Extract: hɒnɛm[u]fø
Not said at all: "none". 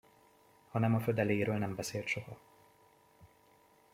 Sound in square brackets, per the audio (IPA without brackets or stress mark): ɒ